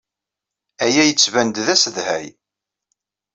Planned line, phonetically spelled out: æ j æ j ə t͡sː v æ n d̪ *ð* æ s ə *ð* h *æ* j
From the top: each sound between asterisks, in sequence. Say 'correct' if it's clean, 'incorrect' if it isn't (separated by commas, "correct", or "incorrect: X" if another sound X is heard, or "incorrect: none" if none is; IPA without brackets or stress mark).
correct, correct, correct